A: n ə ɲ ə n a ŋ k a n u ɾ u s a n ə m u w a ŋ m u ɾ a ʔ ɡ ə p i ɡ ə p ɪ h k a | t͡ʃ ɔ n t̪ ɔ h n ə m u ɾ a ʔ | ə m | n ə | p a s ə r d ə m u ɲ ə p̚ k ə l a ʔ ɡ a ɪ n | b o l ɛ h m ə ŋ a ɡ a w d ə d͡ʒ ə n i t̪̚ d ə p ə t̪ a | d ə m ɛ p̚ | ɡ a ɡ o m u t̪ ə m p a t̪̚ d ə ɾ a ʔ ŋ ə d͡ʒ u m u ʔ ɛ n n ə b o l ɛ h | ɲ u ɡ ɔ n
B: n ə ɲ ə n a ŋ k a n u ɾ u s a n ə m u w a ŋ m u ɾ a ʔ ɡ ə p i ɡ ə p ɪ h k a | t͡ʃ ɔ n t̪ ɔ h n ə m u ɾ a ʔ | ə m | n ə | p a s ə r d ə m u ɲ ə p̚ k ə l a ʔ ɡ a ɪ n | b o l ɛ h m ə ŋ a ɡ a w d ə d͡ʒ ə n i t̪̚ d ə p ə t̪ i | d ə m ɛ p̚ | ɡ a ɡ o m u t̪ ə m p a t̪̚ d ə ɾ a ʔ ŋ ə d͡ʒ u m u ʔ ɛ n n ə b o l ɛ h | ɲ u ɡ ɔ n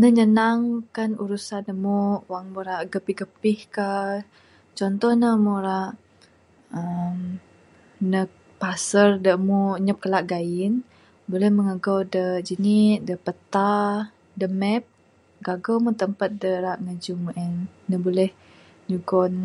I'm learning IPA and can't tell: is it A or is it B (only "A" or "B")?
A